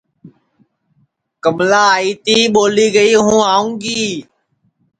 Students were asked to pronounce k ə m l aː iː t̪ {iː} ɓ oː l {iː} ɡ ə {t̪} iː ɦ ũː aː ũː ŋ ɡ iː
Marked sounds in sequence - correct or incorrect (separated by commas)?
correct, correct, incorrect